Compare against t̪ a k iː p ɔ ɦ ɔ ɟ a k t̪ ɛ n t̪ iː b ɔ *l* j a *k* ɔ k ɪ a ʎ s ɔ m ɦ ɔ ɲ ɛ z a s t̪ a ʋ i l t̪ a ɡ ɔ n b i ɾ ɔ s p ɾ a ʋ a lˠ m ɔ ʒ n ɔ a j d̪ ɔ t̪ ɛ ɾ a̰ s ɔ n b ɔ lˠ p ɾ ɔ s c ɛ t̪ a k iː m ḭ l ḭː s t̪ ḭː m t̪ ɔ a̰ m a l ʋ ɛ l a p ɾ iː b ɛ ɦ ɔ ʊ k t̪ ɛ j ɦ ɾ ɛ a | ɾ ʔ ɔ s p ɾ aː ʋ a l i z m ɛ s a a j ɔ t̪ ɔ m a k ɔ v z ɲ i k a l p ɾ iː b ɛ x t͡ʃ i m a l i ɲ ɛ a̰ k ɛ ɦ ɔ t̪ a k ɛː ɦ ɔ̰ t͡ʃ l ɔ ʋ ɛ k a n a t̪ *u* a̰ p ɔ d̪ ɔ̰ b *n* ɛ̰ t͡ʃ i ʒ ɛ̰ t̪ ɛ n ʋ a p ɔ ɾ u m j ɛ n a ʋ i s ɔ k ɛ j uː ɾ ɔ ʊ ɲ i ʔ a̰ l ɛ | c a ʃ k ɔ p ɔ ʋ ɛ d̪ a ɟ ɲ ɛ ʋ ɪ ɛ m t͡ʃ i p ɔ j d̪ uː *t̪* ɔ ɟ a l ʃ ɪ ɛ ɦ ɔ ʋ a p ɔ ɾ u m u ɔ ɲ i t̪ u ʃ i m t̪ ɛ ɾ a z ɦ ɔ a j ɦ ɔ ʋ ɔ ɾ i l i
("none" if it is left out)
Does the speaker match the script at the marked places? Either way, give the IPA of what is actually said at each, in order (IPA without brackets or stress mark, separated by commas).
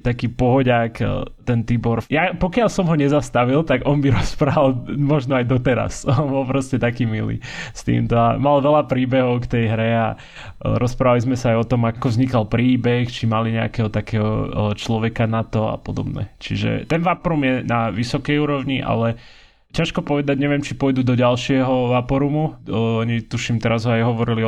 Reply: ɾ, p, ɔ, n, d̪